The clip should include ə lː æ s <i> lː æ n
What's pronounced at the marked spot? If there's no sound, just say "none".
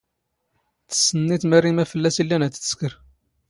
i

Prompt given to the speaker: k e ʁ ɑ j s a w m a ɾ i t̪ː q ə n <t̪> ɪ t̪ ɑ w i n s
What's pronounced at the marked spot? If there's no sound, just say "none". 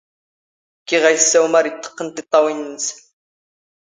t̪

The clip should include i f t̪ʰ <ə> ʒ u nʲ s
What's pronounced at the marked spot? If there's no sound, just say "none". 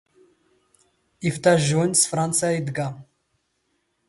a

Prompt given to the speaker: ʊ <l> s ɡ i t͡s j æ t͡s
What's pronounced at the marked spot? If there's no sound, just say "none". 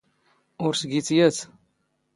ɾ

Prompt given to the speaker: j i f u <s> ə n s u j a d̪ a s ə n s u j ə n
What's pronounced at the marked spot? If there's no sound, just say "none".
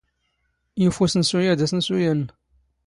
s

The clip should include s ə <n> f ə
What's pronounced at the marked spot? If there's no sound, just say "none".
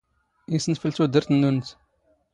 n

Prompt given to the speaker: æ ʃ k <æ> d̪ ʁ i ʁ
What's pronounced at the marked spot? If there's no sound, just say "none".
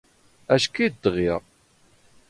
i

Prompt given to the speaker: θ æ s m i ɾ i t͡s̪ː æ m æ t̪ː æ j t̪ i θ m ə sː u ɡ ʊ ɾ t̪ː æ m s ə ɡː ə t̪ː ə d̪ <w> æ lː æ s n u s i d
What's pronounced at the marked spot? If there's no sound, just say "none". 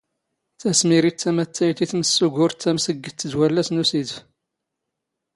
w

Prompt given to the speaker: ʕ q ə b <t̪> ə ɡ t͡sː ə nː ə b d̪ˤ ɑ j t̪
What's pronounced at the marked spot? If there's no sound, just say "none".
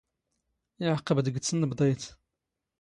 d̪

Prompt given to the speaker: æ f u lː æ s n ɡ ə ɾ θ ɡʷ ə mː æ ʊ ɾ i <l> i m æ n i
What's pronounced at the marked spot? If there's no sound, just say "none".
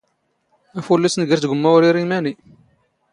ɾ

